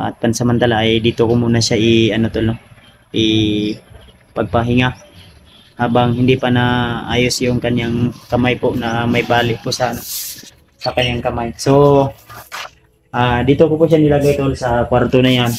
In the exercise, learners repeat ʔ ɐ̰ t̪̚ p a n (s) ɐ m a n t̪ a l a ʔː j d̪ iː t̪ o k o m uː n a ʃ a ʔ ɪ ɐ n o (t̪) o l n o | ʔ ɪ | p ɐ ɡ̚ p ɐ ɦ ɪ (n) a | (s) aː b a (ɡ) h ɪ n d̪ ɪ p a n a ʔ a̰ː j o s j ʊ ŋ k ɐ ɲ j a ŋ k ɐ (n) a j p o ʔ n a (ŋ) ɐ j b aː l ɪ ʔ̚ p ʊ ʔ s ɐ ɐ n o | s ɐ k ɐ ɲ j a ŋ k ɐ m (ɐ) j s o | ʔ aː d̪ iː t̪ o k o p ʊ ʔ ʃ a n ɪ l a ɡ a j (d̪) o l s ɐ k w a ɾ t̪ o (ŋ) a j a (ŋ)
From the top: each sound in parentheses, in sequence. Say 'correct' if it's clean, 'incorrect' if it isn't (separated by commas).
correct, correct, incorrect, incorrect, incorrect, incorrect, incorrect, incorrect, incorrect, incorrect, incorrect